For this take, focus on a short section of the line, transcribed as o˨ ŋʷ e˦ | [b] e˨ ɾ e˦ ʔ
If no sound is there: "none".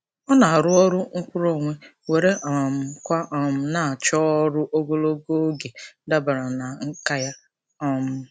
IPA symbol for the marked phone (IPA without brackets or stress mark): w